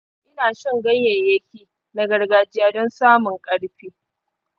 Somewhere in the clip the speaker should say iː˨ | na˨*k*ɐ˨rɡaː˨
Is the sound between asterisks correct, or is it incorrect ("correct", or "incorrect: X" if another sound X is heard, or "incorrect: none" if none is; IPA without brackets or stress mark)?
incorrect: ɡ